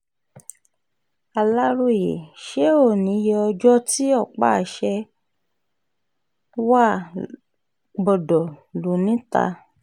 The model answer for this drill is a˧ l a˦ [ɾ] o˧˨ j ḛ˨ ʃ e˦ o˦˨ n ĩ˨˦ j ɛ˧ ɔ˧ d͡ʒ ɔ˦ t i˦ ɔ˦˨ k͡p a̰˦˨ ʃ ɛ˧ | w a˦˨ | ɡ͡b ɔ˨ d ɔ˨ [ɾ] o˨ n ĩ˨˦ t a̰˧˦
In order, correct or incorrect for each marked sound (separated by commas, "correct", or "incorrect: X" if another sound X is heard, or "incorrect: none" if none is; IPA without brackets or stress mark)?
correct, incorrect: l